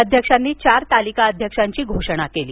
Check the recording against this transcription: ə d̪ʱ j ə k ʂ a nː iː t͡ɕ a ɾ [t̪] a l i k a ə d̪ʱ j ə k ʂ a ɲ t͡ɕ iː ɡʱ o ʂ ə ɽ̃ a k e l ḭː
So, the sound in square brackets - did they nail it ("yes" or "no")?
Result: yes